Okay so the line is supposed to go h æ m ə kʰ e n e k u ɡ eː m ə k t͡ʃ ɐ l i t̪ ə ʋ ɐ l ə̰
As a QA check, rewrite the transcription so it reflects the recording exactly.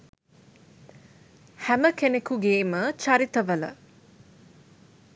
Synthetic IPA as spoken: h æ m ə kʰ e n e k u ɡ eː m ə t͡ʃ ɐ ɾ i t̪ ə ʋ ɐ l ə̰

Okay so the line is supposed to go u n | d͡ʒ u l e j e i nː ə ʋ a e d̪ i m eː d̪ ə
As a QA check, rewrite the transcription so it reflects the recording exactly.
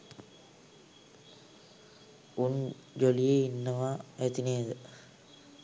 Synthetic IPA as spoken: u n | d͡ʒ o l i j e i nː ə ʋ a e t̪ i n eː d̪ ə

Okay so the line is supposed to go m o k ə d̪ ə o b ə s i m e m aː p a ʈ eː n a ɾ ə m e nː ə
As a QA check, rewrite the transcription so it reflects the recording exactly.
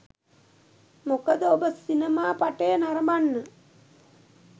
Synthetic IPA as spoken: m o k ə d̪ ə o b ə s i n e m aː p a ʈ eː n a ɾ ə m a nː ə

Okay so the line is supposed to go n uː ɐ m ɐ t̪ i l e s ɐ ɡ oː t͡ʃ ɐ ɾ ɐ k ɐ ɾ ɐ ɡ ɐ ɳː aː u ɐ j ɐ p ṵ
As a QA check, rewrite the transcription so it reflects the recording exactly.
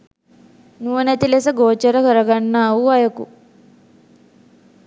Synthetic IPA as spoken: n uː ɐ n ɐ t̪ i l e s ɐ ɡ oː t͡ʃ ɐ ɾ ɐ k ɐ ɾ ɐ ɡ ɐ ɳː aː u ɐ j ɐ k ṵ

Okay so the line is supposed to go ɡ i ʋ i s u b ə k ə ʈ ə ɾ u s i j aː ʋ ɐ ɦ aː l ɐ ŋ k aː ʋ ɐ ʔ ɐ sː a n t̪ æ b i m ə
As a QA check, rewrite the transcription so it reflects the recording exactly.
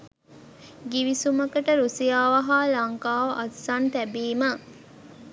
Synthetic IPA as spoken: ɡ i ʋ i s u m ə k ə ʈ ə ɾ u s i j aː ʋ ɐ ɦ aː l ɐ ŋ k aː ʋ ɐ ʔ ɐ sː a n t̪ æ b iː m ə

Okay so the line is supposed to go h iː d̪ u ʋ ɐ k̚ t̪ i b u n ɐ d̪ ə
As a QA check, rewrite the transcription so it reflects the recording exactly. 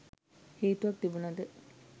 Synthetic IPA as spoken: h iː t̪ u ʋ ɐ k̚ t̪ i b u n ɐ d̪ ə

